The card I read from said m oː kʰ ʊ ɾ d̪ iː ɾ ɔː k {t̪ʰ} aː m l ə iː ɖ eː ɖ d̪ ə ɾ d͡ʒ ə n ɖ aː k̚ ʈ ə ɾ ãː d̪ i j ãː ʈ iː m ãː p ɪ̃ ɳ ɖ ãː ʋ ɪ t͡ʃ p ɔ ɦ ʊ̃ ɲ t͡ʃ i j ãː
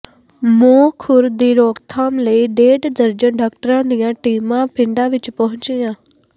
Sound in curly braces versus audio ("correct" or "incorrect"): correct